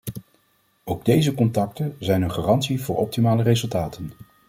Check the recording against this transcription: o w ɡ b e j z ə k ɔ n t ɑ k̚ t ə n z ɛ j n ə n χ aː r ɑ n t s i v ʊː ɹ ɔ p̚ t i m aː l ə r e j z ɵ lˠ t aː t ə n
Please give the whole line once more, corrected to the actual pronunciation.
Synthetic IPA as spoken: o w ɡ d e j z ə k ɔ n t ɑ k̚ t ə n z ɛ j n ə n χ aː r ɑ n t s i v ʊː ɹ ɔ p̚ t i m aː l ə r e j z ɵ lˠ t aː t ə n